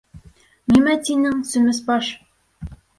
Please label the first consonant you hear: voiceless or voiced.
voiced